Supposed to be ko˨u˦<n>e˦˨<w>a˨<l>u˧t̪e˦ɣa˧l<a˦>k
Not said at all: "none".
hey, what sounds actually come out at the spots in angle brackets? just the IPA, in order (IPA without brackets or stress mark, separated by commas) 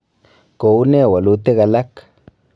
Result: n, w, l, a˦